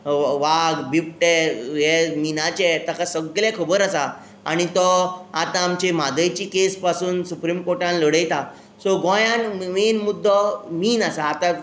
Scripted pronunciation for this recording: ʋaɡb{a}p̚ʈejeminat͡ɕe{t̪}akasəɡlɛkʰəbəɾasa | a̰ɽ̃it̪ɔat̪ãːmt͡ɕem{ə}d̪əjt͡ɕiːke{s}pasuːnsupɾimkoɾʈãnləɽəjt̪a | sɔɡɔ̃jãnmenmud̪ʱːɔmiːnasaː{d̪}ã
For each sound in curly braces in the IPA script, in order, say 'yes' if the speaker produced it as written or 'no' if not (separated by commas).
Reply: no, yes, no, yes, no